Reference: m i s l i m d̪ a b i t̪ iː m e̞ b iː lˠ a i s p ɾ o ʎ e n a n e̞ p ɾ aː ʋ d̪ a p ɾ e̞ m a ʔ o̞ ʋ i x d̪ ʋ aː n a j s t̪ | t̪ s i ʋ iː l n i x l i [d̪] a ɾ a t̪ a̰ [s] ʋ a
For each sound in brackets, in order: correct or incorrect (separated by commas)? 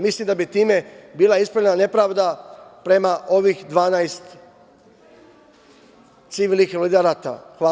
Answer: correct, incorrect